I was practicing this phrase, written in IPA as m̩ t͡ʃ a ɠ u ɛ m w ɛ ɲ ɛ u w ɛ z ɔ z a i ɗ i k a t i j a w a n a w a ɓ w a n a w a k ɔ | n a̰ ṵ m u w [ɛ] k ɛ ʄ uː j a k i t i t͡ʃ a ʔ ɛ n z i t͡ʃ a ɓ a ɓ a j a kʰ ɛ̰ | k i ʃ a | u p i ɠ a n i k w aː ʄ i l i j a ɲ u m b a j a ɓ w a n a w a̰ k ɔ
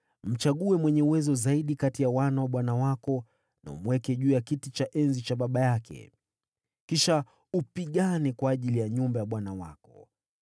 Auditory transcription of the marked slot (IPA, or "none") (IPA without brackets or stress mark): ɛ